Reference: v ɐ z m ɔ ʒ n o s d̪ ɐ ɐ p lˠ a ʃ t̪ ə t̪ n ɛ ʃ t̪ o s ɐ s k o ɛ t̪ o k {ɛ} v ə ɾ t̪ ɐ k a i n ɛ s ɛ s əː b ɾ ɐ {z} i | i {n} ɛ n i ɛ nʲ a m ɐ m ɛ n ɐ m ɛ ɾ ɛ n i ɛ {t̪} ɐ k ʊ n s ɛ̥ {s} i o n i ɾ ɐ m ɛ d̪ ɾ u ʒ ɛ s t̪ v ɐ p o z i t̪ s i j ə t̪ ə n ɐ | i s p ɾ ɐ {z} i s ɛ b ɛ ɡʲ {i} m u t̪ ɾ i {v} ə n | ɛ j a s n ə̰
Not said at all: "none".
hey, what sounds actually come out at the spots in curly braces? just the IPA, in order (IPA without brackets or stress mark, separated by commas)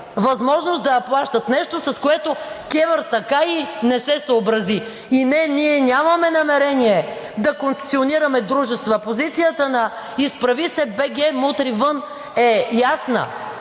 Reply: ɛ, z, n, d̪, s, v, ɛ, v